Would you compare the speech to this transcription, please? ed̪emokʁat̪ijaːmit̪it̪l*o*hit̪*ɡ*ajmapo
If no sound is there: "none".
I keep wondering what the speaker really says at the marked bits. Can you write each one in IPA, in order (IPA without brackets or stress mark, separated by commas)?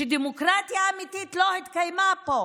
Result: o, k